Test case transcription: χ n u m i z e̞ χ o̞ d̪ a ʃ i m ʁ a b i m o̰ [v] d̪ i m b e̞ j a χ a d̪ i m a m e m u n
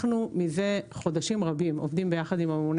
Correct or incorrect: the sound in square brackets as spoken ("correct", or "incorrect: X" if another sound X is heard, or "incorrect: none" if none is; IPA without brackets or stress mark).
correct